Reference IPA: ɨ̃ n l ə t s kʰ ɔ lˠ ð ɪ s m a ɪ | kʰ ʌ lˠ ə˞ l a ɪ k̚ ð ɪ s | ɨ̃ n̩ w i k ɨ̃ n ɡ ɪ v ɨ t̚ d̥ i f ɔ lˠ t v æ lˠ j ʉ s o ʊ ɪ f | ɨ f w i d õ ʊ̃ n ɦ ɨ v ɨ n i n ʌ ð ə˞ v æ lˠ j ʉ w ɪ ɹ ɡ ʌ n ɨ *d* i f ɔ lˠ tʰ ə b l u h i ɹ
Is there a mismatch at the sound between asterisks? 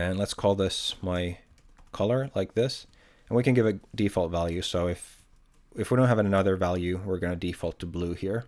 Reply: no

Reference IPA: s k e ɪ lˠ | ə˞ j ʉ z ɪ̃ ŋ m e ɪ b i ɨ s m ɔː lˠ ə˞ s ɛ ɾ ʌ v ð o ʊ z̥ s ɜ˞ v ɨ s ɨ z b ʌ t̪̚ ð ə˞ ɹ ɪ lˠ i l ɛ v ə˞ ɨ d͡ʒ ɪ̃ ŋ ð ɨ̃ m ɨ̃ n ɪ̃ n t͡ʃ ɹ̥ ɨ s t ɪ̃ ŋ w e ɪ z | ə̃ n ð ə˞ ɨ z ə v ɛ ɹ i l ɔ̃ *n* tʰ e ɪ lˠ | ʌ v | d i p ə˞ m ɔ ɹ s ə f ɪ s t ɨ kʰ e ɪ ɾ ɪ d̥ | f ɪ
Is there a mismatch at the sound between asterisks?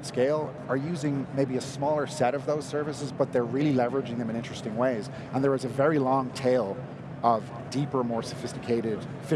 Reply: yes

